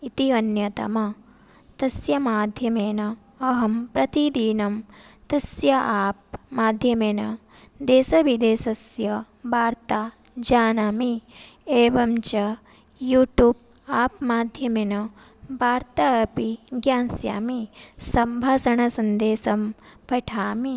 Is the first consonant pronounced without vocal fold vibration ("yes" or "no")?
yes